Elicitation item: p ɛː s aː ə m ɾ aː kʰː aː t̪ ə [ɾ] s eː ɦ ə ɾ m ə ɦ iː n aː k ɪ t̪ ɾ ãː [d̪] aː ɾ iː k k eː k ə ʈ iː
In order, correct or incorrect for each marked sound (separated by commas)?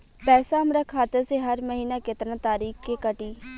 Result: correct, incorrect